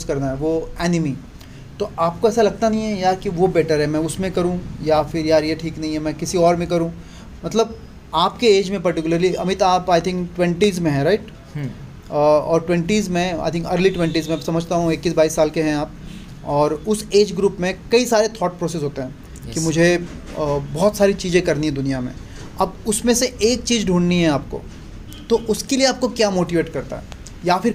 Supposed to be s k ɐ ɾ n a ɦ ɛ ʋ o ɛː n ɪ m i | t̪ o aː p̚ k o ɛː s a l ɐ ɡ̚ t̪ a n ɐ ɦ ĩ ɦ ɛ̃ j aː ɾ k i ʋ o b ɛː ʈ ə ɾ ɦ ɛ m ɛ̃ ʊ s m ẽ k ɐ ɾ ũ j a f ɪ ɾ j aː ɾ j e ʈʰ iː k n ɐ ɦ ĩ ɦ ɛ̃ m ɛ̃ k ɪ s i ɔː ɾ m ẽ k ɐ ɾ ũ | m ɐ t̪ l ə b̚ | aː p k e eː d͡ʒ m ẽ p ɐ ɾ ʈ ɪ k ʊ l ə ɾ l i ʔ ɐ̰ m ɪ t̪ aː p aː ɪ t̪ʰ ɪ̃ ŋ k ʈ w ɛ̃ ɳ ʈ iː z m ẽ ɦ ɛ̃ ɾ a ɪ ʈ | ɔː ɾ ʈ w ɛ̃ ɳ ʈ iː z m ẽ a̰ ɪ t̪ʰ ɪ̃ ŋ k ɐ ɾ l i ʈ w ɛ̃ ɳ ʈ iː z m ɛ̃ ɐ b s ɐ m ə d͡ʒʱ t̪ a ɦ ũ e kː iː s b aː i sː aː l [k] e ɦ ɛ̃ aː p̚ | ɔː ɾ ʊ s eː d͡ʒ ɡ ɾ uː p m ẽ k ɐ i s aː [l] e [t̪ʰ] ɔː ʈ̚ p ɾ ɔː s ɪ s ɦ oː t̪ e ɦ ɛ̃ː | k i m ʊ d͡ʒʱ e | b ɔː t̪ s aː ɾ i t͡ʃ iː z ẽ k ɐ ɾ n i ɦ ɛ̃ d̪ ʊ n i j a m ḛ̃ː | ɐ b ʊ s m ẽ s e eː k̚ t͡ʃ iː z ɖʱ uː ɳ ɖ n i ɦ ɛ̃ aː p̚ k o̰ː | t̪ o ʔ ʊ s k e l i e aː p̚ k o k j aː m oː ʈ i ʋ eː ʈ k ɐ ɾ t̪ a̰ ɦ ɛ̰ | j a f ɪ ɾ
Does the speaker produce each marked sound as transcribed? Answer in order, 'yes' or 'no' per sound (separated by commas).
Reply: yes, no, yes